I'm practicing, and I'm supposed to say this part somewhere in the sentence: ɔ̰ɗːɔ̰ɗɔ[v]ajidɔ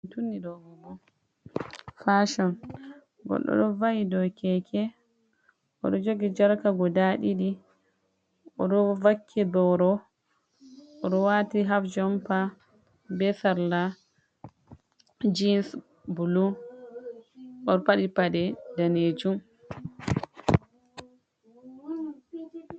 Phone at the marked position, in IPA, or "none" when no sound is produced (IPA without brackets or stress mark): v